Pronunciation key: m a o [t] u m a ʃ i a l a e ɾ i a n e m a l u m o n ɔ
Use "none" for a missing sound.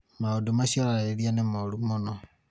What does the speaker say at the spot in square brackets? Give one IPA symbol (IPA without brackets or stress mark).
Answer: d